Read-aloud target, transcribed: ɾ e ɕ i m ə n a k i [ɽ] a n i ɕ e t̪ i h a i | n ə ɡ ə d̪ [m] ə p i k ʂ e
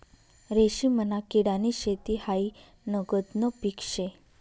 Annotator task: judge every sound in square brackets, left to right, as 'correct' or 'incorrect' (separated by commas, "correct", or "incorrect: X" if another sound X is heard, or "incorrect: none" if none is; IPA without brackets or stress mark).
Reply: correct, incorrect: n